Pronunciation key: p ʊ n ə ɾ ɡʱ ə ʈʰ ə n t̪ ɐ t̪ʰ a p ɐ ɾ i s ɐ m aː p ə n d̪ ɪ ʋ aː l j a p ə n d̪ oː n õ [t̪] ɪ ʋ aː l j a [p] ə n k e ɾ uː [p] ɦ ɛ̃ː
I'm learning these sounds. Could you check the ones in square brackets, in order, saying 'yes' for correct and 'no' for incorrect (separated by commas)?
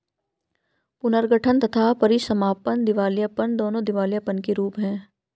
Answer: no, yes, yes